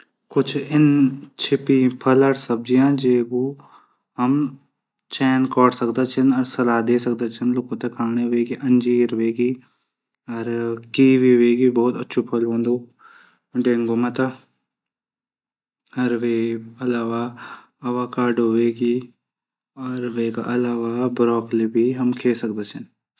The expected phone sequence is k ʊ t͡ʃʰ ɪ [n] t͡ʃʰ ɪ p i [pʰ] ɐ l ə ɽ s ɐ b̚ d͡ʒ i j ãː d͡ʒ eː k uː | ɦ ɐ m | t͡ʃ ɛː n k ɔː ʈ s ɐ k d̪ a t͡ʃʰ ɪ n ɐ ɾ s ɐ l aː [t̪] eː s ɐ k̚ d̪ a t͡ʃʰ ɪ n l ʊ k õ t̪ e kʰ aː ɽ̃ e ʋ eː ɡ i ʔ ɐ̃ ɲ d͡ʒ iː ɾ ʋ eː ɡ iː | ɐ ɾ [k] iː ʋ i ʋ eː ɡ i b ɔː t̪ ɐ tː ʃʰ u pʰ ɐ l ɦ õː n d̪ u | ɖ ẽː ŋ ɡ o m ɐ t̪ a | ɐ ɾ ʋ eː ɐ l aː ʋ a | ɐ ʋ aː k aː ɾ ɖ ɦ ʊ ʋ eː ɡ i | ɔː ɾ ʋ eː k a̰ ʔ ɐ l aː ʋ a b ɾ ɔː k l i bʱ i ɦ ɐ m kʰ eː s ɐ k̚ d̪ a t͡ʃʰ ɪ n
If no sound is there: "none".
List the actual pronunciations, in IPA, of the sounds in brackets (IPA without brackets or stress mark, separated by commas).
n, pʰ, d̪, k